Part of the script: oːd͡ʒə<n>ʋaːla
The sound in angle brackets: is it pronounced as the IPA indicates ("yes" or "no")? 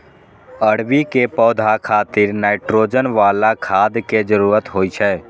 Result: yes